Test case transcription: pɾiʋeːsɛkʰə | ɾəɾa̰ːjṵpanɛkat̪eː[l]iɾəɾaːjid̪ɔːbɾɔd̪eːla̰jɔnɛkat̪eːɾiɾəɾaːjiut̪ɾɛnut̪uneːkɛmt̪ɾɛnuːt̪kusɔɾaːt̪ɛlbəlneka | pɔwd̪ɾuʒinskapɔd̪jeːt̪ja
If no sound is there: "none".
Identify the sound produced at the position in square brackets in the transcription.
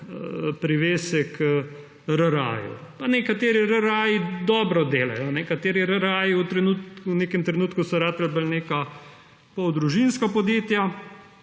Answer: ɾ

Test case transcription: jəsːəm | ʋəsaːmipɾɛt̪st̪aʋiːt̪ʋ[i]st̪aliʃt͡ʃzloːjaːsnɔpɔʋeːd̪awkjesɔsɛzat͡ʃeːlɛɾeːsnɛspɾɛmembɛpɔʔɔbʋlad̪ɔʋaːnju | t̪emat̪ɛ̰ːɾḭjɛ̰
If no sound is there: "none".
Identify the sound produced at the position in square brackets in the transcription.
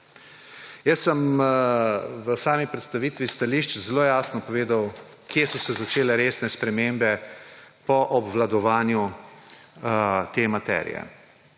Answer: i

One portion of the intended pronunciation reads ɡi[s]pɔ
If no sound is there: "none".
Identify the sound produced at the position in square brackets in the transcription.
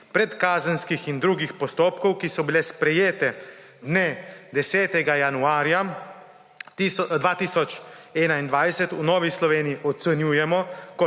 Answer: x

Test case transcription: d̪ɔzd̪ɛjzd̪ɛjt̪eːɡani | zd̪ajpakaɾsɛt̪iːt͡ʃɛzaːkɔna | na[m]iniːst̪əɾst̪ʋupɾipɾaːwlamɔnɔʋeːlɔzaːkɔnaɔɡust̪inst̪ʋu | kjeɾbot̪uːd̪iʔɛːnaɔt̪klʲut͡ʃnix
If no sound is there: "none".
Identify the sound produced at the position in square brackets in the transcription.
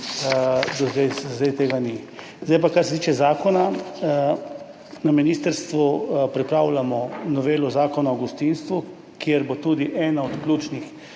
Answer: m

